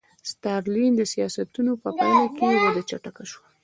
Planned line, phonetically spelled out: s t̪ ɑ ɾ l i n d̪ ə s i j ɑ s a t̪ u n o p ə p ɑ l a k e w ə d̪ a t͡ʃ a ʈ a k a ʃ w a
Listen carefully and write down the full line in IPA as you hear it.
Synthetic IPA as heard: s t̪ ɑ ɾ l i n d̪ ə s i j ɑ s a t̪ u n o p ə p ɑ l a k e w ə d̪ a t͡ʃ a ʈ a k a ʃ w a